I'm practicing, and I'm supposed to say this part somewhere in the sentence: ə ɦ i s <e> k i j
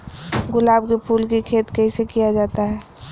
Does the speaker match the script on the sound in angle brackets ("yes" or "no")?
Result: yes